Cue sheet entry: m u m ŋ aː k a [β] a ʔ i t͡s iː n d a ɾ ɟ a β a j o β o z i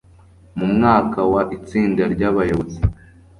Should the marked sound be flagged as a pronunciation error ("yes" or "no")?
yes